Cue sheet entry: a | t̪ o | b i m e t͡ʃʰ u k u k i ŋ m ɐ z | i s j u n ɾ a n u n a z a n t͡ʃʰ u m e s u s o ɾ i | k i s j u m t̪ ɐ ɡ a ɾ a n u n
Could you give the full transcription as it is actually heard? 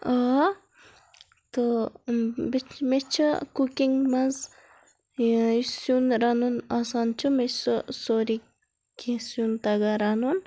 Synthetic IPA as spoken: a | t̪ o | b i m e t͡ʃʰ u k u k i ŋ m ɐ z | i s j u n ɾ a n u n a s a n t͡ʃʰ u m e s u s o ɾ i | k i s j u n t̪ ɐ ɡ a ɾ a n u n